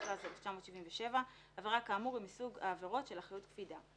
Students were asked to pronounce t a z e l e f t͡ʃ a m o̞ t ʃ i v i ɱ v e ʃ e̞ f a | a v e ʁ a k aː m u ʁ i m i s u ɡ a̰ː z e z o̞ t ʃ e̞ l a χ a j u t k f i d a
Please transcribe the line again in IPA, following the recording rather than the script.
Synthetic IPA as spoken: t a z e l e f t͡ʃ a m o̞ t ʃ i v i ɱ v e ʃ e̞ v a | a v e ʁ a k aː m u ʁ i m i s u ɡ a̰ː v e ʁ o̞ t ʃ e̞ l a χ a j u t k f i d a

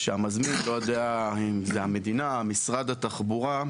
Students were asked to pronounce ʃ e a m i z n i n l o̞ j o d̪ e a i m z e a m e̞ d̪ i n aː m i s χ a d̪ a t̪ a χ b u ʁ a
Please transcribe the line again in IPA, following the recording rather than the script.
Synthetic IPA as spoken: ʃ e a m a z m i n l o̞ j o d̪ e a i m z e a m e̞ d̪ i n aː m i s ʁ a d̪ a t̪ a χ b u ʁ a

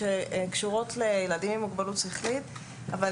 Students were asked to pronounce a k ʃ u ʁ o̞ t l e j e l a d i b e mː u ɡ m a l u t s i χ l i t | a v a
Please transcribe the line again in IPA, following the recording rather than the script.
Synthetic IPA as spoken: e k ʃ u ʁ o̞ t l e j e l a d i m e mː u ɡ b a l u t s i χ l i t | a v a

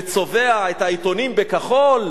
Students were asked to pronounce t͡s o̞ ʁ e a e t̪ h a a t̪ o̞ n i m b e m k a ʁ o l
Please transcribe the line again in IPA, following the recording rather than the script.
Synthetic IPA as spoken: t͡s o̞ v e a e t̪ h a i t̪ o̞ n i m b e k a χ o l

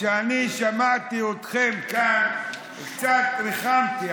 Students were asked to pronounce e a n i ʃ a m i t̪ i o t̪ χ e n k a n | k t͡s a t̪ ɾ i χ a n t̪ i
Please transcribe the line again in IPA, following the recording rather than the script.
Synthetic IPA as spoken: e a n i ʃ a m a t̪ i o t̪ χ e m k a n | k t͡s a t̪ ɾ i χ a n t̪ i

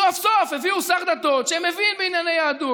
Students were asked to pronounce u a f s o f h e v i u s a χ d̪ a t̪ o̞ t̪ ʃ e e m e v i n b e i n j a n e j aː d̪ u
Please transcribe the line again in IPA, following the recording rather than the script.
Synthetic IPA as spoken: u a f s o f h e v i u s a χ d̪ a t̪ o̞ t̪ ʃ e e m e v i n b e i n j a n e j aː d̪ u

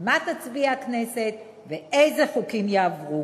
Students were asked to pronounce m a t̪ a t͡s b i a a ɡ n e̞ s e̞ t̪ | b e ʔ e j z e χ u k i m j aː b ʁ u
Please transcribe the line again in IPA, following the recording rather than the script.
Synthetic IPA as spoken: m a t̪ a t͡s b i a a k n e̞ s e̞ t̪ | v e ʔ e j z e χ u k i m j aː v ʁ u

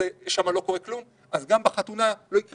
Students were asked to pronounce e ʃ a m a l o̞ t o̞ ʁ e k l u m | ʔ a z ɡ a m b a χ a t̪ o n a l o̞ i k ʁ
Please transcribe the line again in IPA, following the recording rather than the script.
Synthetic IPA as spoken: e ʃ a m a l o̞ k o̞ ʁ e k l u m | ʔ a z ɡ a m b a χ a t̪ u n a l o̞ i k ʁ

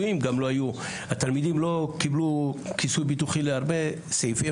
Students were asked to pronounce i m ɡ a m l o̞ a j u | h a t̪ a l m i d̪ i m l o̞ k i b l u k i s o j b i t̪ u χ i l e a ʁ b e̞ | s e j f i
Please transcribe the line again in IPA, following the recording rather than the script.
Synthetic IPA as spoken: i m ɡ a m l o̞ a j u | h a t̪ a l m i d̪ i m l o̞ k i b l u k i s u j b i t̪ u χ i l e a ʁ b e̞ | s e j f i

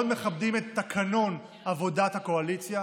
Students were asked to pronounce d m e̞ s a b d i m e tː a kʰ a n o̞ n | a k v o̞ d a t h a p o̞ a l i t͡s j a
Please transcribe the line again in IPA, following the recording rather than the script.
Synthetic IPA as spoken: d m e̞ χ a b d i m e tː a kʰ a n o̞ n | a v o̞ d a t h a k o̞ a l i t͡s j a

